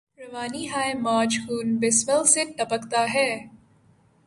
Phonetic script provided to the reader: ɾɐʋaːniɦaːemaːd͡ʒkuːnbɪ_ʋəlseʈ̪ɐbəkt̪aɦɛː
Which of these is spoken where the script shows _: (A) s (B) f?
A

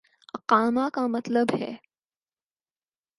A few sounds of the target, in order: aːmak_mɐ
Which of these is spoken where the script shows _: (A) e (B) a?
B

